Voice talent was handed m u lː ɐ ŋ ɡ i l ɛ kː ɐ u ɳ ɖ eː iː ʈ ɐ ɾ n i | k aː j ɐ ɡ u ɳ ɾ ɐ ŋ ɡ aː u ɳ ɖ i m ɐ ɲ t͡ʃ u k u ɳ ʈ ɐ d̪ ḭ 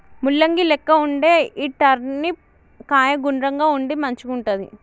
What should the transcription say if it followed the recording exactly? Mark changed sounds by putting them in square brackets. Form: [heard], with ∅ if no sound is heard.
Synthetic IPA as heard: m u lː ɐ ŋ ɡ i l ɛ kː ɐ u ɳ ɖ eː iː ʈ ɐ ɾ n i | k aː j ɐ ɡ u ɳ ɾ ɐ ŋ ɡ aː u ɳ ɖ i m ɐ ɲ t͡ʃ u k u ɳ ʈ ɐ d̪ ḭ